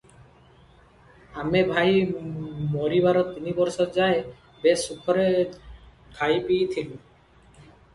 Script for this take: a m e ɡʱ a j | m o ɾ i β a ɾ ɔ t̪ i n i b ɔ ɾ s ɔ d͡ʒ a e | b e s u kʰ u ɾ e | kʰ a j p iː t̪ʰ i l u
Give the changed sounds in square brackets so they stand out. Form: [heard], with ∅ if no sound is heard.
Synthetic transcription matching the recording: a m e [bʱ] a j | m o ɾ i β a ɾ ɔ t̪ i n i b ɔ ɾ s ɔ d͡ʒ a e | b e s u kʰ [ɔ] ɾ e | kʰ a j p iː t̪ʰ i l u